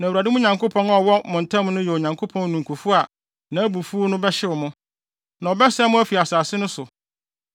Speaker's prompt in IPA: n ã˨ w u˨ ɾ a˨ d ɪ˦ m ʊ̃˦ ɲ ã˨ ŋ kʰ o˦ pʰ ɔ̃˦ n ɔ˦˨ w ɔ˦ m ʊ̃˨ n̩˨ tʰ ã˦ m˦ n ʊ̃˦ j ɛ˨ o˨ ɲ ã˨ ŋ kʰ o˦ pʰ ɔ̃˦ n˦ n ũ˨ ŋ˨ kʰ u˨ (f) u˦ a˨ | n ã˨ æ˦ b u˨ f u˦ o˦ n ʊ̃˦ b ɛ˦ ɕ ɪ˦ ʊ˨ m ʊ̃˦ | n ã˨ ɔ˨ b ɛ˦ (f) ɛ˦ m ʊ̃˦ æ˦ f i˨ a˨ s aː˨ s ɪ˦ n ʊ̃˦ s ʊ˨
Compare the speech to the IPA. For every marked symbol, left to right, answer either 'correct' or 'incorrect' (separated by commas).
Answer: correct, incorrect